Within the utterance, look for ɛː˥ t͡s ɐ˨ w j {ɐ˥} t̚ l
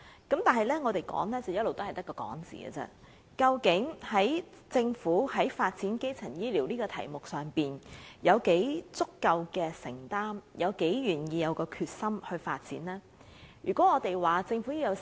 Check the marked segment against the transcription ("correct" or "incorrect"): correct